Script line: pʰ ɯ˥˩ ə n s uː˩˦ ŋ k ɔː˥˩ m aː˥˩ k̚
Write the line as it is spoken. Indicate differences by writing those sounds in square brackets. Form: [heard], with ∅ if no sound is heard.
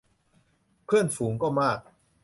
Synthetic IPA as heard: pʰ ɯ˥˩ ə n [f] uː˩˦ ŋ k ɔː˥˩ m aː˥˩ k̚